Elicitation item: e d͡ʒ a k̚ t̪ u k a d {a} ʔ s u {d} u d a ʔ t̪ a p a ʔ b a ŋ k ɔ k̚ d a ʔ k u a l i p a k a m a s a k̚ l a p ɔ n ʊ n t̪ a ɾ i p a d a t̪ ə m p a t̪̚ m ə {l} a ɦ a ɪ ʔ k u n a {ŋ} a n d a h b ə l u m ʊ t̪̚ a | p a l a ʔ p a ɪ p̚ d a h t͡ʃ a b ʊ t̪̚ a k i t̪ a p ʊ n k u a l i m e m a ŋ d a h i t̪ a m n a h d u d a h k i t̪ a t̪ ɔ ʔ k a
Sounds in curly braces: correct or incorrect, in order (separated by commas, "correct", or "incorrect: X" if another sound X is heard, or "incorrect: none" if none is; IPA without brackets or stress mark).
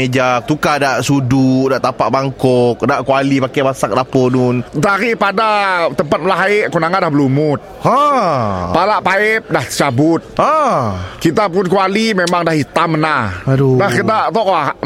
correct, correct, correct, correct